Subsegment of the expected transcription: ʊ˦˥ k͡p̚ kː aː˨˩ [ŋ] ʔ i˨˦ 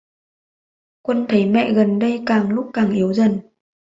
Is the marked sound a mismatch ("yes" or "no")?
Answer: no